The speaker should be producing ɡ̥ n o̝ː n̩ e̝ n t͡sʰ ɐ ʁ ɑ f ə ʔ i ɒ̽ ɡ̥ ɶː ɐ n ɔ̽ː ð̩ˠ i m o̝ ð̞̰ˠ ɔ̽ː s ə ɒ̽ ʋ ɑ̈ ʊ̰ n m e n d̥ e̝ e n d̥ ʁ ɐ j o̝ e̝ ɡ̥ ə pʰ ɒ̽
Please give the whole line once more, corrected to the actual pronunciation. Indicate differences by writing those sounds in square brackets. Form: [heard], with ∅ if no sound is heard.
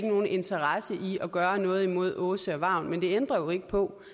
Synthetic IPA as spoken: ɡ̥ n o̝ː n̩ e̝ n t͡sʰ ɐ ʁ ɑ [s] ə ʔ i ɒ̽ ɡ̥ ɶː ɐ n ɔ̽ː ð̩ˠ i m o̝ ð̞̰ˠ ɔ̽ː s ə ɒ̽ ʋ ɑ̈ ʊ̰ n m e n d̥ e̝ e n d̥ ʁ ɐ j o̝ e̝ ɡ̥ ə pʰ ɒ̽